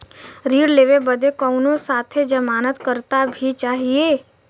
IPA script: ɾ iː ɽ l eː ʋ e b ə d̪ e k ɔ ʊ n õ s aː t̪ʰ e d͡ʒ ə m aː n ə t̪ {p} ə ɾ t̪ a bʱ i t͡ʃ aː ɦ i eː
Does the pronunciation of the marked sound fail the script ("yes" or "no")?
yes